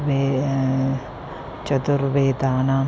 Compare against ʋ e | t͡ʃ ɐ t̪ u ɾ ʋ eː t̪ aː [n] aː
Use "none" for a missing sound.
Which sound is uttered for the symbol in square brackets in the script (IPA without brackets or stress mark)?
n